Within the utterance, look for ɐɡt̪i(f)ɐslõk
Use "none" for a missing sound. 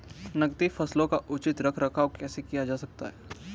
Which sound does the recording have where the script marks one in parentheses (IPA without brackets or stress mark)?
f